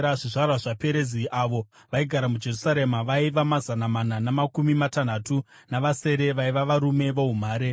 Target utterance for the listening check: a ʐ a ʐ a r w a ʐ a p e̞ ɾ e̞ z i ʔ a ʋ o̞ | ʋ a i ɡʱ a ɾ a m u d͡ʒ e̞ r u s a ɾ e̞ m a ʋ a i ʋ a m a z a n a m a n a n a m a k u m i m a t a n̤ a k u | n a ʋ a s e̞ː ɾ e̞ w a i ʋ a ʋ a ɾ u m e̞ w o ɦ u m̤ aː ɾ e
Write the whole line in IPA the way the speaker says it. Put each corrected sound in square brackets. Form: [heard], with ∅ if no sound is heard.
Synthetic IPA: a ʐ [i] ʐ a r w a ʐ a p e̞ ɾ e̞ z i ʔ a ʋ o̞ | ʋ a i ɡʱ a ɾ a m u d͡ʒ e̞ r u s a ɾ e̞ m a ʋ a i ʋ a m a z a n a m a n a n a m a k u m i m a t a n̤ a [t] u | n a ʋ a s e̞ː ɾ e̞ [ʋ] a i ʋ a ʋ a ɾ u m e̞ [ʋ] o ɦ u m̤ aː ɾ e

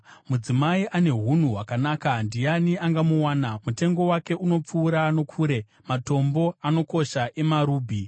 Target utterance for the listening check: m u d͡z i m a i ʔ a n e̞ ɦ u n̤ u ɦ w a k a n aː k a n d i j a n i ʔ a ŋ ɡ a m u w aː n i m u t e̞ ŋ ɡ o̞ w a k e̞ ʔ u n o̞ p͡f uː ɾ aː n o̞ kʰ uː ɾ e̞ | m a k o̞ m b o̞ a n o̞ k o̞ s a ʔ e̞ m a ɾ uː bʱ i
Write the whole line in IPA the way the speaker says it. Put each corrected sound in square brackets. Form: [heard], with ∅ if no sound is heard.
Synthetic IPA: m u d͡z i m a i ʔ a n e̞ ɦ u n̤ u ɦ w a k a n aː k a n d i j a n i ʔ a ŋ ɡ a m u w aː n [a] m u t e̞ ŋ ɡ o̞ w a k e̞ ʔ u n o̞ p͡f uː ɾ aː n o̞ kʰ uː ɾ e̞ | m a [t] o̞ m b o̞ a n o̞ k o̞ [ʃ] a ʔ e̞ m a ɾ uː bʱ i

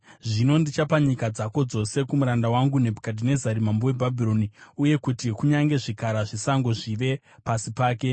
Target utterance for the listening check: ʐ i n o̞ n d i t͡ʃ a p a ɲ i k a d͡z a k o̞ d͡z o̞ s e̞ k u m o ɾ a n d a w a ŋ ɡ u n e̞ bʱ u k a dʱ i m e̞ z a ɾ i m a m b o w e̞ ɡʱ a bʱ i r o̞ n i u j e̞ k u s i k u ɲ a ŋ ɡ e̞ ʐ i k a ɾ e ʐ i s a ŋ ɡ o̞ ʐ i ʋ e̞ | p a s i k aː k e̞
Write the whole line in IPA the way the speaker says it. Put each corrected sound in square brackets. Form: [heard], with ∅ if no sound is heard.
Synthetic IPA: ʐ i n o̞ n d i t͡ʃ a p a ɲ i k a d͡z a k o̞ d͡z o̞ s e̞ k u m [u] ɾ a n d a w a ŋ ɡ u n e̞ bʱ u k a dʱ i [n] e̞ z a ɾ i m a m b o w e̞ [bʱ] a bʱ i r o̞ n i u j e̞ k u [t] i k u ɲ a ŋ ɡ e̞ ʐ i k a ɾ [a] ʐ i s a ŋ ɡ o̞ ʐ i ʋ e̞ | p a s i [p] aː k e̞

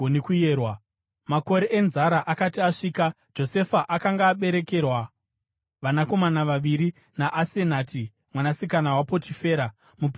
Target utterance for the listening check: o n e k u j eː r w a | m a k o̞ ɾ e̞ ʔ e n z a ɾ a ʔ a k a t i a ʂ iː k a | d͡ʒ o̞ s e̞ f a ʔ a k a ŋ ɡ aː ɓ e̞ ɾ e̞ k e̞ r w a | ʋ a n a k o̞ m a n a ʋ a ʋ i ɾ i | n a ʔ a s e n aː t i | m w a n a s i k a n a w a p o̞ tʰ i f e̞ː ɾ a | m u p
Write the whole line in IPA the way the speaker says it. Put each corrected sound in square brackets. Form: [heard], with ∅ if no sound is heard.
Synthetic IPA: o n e k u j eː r w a | m a k o̞ ɾ e̞ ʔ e n z a ɾ a ʔ a k a t i a ʂ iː k a | d͡ʒ o̞ s e̞ f a ʔ a k a ŋ ɡ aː ɓ e̞ ɾ e̞ k e̞ r w a | ʋ a n a k o̞ m a n a ʋ a ʋ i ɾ i | n a ʔ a s e n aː t i | m w a n a s i k a n a w a p o̞ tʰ i f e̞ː ɾ a | m u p

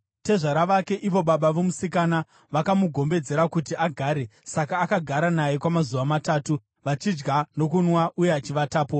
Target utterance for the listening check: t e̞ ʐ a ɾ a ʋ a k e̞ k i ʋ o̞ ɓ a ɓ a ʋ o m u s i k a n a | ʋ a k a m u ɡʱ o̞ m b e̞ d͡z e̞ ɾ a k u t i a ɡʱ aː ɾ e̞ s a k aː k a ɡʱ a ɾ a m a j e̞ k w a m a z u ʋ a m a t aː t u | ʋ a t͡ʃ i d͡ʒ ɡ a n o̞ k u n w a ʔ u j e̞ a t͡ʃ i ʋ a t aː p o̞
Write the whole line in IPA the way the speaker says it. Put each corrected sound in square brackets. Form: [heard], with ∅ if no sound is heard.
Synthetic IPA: t e̞ ʐ a ɾ a ʋ a k e̞ [ʔ] i ʋ o̞ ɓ a ɓ a ʋ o m u s i k a n a | ʋ a k a m u ɡʱ o̞ m b e̞ d͡z e̞ ɾ a k u t i a ɡʱ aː ɾ e̞ s a k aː k a ɡʱ a ɾ a [n] a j e̞ k w a m a z u ʋ a m a t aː t u | ʋ a t͡ʃ i d͡ʒ ɡ a n o̞ k u n w a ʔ u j e̞ a t͡ʃ i ʋ a t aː p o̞

